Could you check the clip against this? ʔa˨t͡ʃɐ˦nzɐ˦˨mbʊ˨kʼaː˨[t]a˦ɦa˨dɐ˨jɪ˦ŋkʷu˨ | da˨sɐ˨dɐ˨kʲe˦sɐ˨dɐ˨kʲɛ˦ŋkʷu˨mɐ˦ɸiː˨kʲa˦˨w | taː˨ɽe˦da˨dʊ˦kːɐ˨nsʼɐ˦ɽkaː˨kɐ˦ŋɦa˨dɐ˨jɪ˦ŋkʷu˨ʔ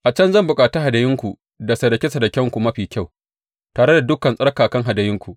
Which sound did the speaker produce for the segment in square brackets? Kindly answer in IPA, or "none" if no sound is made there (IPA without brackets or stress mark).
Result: t